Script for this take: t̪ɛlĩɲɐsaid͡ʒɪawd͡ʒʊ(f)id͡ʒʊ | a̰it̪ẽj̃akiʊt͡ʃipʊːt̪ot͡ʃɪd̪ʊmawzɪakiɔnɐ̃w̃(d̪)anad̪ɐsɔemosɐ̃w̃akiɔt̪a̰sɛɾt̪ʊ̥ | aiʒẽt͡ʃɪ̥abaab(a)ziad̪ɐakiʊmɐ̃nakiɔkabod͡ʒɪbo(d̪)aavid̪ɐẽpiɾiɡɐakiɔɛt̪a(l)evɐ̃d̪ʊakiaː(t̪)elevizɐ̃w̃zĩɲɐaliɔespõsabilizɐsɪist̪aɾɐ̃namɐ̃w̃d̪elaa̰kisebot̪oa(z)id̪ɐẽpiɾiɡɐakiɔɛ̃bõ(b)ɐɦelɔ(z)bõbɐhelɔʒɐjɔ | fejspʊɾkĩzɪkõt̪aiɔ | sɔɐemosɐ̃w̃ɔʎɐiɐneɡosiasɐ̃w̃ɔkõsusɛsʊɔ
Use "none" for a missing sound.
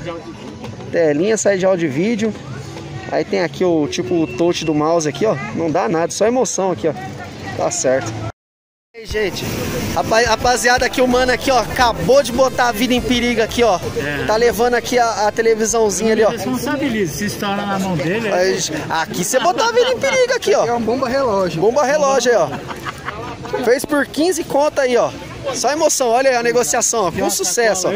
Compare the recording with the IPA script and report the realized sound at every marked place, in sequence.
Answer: v, d̪, a, t̪, l, t̪, v, b, ʒ

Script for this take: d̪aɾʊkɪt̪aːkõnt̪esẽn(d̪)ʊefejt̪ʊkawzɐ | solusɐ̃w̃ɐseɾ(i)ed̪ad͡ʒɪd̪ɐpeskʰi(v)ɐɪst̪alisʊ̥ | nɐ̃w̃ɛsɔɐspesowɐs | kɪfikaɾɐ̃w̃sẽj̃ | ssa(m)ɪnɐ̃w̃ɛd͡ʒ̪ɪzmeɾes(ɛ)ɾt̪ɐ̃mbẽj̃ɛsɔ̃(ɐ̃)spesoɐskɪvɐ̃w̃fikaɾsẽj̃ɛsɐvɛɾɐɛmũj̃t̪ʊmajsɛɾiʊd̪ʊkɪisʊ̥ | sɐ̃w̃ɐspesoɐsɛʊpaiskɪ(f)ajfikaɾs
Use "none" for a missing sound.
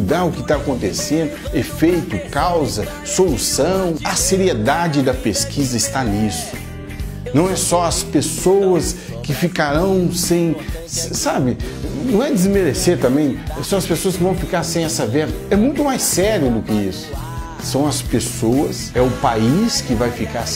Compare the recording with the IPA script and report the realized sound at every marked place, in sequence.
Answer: d̪, i, z, b, e, ɐ, v

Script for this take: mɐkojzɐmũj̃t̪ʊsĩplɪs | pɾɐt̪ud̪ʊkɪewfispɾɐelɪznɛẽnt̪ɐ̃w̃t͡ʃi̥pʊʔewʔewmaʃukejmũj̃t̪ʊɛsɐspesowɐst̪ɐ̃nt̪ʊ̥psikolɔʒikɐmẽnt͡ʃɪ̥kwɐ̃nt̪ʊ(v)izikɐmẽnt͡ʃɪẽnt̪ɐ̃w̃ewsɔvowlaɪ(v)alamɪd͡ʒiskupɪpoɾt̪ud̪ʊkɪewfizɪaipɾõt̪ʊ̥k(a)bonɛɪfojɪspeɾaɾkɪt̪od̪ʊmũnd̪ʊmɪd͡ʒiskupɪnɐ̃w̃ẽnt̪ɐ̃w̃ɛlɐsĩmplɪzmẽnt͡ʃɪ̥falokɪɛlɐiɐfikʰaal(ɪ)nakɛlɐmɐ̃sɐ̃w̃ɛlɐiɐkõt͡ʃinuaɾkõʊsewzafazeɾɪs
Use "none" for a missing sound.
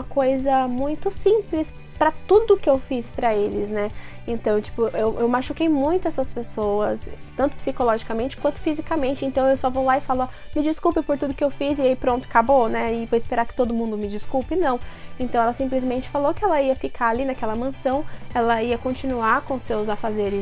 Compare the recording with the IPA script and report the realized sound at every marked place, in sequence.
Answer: f, f, a, i

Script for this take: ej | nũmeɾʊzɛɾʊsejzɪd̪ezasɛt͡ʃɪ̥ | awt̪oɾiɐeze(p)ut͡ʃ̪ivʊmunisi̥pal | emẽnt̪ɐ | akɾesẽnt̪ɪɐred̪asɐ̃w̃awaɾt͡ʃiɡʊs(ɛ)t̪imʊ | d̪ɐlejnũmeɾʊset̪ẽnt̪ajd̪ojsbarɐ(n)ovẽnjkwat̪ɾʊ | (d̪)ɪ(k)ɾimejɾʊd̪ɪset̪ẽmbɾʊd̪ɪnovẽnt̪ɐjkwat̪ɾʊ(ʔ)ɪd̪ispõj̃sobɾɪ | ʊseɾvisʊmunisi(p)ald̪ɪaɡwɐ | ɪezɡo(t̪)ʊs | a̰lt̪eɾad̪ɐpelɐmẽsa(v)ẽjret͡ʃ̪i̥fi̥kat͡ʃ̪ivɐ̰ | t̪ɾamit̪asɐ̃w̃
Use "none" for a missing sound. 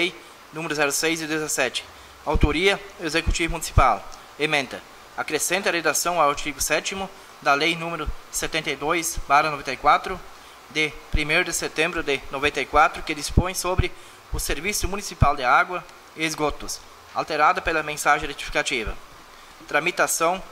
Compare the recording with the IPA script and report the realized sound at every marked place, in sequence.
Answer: k, ɛ, n, d̪, p, k, p, t̪, ʒ

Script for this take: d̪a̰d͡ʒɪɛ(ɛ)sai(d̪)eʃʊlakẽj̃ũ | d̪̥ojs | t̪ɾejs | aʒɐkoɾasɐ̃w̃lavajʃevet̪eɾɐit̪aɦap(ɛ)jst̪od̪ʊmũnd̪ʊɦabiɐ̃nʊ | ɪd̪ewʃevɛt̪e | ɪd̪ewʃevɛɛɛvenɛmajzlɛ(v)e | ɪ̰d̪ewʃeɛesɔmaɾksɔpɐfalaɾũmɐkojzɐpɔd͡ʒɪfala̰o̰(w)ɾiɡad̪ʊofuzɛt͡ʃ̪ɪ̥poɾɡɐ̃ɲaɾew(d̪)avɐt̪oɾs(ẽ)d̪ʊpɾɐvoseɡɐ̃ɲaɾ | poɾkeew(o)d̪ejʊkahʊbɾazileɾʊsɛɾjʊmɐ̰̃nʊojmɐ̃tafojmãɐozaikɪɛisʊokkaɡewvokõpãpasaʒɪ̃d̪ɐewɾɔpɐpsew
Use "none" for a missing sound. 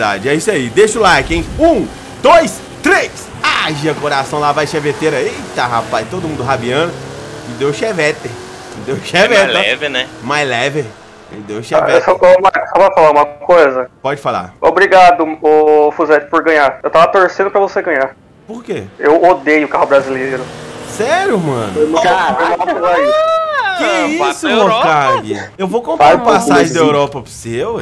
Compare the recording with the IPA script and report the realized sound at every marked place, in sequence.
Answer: i, d̪, a, v, b, t̪, ẽ, o

